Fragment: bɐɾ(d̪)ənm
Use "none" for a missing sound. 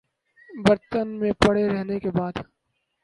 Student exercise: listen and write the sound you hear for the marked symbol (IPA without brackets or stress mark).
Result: t̪